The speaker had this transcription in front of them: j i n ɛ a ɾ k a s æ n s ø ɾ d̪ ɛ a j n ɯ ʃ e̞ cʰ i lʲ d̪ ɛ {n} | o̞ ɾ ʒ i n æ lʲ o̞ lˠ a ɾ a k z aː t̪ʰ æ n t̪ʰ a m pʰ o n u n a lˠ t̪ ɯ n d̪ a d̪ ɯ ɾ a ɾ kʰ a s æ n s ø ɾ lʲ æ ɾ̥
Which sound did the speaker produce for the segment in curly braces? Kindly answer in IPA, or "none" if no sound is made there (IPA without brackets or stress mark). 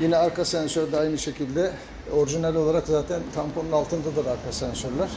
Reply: none